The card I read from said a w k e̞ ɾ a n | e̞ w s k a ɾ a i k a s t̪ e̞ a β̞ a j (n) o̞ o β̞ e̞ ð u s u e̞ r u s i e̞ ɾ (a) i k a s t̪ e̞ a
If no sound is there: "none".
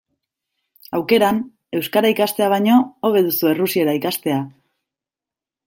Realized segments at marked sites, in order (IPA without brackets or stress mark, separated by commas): ɲ, a